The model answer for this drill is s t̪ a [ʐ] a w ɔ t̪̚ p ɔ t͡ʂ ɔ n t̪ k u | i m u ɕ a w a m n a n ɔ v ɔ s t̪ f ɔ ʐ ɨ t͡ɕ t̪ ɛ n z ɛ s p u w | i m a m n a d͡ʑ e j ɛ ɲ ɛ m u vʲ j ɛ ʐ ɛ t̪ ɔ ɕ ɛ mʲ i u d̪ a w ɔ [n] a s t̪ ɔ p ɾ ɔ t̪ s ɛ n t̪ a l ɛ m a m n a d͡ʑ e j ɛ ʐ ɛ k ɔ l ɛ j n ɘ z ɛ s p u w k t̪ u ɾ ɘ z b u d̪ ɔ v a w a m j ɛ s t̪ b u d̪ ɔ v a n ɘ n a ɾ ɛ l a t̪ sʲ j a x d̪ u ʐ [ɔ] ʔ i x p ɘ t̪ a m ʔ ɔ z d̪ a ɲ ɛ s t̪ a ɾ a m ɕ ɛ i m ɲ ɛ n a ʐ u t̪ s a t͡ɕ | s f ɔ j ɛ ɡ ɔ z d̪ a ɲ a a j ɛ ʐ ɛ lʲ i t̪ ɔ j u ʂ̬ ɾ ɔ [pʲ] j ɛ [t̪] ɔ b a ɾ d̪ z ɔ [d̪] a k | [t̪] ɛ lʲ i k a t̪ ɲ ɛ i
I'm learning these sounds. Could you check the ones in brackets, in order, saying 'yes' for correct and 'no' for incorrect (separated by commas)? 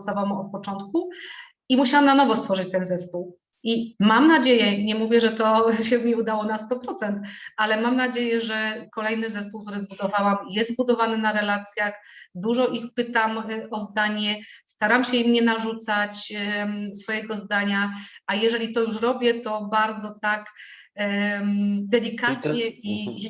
no, yes, yes, no, yes, no, no